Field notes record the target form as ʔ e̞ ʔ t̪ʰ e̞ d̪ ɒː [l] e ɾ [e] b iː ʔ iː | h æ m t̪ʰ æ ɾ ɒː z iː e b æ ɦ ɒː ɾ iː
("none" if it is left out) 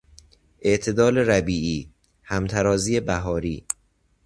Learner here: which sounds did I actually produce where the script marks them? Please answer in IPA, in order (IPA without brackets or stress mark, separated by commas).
l, æ